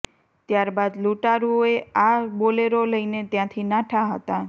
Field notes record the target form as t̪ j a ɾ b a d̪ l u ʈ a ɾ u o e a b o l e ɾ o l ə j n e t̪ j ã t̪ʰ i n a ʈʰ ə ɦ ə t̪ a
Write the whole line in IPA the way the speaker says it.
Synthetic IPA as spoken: t̪ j a ɾ b a d̪ l u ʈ a ɾ u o e a b o l e ɾ o l ə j n e t̪ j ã t̪ʰ i n a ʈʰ a ɦ ə t̪ a